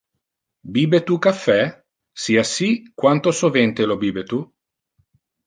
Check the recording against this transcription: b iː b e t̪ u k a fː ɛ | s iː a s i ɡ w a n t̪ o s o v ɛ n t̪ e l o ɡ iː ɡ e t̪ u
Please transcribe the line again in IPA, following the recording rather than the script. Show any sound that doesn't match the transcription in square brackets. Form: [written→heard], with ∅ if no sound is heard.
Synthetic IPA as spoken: b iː b e t̪ u k a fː ɛ | s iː a s i [ɡ→k] w a n t̪ o s o v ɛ n t̪ e l o [ɡ→b] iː [ɡ→b] e t̪ u